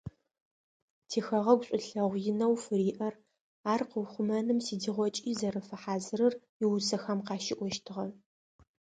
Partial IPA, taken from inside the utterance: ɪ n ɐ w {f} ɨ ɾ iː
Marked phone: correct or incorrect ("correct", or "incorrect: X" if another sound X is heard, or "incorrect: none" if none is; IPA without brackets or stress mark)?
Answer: correct